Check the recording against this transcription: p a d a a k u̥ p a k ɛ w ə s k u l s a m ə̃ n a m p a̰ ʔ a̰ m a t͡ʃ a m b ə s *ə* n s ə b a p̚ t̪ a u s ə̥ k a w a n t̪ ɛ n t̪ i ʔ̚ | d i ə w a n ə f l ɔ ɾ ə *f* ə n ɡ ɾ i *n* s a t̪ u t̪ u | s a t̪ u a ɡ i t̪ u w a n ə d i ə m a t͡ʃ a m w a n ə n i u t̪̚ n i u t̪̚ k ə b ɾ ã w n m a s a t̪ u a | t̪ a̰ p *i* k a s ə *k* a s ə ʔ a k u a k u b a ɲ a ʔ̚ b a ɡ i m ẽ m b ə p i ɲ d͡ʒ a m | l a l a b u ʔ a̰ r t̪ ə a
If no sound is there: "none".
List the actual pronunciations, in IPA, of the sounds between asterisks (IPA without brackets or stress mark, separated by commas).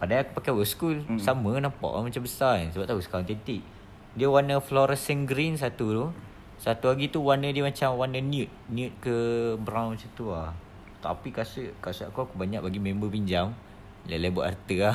a, s, n, i, k